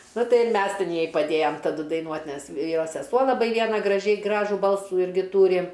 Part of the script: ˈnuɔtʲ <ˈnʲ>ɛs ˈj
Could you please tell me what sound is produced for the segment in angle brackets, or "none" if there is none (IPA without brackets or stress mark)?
nʲ